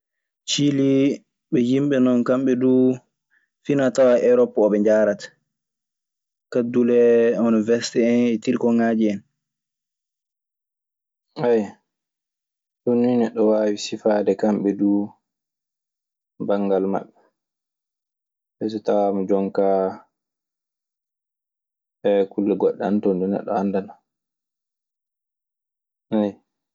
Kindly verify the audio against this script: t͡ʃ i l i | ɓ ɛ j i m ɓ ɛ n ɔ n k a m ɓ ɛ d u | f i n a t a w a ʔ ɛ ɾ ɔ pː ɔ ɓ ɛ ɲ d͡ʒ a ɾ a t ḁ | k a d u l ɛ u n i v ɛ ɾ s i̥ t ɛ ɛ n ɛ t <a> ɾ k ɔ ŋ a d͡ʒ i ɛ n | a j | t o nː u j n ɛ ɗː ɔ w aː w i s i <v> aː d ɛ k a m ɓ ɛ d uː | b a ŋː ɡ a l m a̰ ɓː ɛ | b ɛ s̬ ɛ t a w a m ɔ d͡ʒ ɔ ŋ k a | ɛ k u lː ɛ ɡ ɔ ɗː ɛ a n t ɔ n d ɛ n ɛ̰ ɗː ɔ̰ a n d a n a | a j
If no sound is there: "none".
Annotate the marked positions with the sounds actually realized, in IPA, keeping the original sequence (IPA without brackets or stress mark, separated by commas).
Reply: i, f